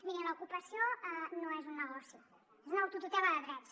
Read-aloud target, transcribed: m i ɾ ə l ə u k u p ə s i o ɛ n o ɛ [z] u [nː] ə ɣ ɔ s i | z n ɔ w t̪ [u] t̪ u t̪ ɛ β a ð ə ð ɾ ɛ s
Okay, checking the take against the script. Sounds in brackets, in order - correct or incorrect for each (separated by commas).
correct, correct, correct